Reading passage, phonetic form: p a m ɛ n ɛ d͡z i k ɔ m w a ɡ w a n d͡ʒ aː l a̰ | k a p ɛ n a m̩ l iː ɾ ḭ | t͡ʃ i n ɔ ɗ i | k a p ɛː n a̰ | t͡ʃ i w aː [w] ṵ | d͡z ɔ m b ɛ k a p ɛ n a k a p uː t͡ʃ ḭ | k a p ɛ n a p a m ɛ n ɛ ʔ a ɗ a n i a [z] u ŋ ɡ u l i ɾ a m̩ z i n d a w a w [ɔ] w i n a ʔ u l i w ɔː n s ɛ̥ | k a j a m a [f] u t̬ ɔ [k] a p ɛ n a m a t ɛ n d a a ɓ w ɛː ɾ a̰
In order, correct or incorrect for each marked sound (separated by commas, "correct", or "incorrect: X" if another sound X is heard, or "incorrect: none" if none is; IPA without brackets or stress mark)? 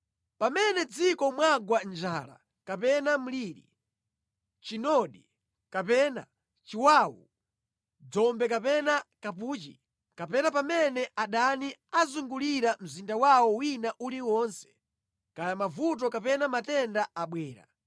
correct, correct, correct, incorrect: v, correct